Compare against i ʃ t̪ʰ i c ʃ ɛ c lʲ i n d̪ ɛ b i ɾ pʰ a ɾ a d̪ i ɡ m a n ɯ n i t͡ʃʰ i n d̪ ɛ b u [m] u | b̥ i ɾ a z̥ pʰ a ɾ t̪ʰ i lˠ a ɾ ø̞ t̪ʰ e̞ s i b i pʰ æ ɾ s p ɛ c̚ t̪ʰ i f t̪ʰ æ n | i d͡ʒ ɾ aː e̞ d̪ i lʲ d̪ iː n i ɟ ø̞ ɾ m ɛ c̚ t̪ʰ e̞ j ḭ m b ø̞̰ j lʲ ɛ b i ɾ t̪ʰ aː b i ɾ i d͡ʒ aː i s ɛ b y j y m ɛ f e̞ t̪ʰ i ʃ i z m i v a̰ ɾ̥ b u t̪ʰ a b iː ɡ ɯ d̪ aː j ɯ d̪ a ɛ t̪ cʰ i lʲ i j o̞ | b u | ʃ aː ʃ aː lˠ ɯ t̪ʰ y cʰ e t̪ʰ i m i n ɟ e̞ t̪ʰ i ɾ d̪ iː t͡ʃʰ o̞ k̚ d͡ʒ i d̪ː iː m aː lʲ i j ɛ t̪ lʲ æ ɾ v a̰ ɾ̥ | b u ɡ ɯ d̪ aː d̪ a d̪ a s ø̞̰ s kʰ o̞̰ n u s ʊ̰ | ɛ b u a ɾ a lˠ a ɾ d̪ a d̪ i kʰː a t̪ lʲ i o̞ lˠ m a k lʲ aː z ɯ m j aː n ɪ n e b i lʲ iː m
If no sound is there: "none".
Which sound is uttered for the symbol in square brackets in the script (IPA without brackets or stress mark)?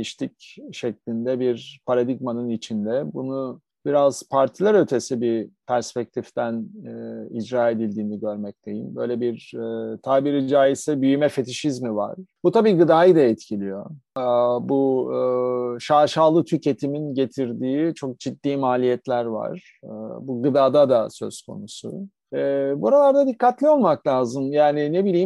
n